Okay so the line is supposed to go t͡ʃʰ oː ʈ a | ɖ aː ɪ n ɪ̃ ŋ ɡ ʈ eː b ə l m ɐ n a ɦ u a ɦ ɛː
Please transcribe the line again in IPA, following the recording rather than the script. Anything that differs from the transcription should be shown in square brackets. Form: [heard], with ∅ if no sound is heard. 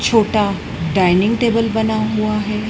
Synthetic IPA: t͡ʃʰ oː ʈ a | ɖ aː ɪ n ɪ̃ ŋ ɡ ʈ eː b ə l [b] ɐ n a ɦ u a ɦ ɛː